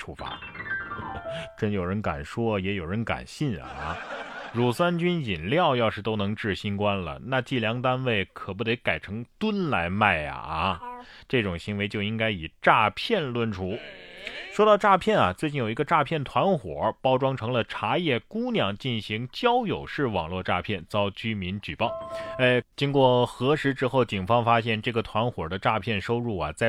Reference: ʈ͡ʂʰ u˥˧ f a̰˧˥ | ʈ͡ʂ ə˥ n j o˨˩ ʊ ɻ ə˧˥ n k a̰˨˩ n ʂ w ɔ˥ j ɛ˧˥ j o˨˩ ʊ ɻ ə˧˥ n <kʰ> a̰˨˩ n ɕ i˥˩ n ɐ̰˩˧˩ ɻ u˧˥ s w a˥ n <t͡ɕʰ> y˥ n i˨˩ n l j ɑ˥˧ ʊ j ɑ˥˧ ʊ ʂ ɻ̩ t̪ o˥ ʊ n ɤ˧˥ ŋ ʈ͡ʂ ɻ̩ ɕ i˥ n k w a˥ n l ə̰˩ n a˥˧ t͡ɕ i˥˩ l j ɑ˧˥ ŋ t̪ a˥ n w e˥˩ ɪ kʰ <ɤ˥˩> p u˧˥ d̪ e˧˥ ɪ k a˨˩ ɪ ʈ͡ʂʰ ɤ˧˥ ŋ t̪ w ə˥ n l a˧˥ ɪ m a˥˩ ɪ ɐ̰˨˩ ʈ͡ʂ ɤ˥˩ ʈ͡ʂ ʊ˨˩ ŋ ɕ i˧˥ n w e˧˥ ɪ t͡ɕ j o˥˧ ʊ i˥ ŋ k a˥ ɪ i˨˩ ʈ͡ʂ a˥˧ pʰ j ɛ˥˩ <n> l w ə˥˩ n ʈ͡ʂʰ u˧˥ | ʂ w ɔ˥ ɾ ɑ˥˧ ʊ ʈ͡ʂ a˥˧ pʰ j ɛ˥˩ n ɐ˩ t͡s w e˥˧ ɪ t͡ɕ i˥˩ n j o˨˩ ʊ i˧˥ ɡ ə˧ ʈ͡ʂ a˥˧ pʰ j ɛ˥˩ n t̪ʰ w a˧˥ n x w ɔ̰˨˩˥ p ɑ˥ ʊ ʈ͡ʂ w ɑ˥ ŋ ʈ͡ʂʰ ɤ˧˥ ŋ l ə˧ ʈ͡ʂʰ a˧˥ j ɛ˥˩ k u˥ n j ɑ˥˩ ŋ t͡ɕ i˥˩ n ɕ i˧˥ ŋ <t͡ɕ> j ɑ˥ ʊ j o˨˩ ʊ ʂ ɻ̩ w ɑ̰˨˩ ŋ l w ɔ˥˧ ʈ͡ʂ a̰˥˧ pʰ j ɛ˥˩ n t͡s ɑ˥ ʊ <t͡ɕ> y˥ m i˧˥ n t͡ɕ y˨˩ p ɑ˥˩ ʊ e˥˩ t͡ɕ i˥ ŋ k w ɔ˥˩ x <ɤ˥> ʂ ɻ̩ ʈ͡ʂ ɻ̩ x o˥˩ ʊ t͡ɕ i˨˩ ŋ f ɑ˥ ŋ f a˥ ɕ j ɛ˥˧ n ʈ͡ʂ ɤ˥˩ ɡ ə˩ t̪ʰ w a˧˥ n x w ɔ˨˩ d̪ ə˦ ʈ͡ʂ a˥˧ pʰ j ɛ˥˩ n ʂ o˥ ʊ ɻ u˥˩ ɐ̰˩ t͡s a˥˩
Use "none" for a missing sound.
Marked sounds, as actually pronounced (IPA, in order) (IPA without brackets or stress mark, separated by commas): k, t͡ɕ, ɤ˨˩, n, t͡ɕ, t͡ɕ, ɤ˧˥